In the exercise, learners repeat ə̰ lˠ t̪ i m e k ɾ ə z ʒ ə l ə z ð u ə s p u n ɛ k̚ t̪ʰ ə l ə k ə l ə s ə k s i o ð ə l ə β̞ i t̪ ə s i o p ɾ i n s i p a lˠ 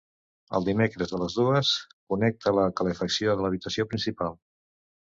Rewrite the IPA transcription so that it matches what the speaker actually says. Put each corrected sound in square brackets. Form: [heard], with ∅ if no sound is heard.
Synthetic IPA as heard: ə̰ lˠ [d̪] i m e k ɾ ə z [ð] ə l ə z ð u ə s [k] u n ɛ k̚ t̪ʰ ə l ə k ə l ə [f] ə k s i o ð ə l ə β̞ i t̪ ə s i o p ɾ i n s i p a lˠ